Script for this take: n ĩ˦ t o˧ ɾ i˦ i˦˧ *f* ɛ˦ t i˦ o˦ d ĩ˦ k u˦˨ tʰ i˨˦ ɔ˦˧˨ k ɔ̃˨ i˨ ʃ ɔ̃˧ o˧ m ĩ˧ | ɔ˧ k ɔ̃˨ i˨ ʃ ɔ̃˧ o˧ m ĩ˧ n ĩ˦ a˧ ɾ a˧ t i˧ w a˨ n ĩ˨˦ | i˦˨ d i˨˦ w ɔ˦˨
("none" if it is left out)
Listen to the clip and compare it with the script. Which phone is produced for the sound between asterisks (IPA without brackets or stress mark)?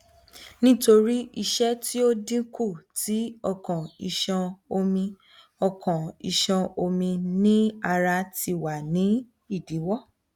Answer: ʃ